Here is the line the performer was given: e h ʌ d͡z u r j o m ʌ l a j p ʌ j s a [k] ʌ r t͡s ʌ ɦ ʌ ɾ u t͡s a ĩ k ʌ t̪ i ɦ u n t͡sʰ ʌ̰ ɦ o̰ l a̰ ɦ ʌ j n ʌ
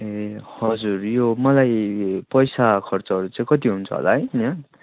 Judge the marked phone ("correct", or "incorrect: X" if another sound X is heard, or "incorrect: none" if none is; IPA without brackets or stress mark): incorrect: kʰ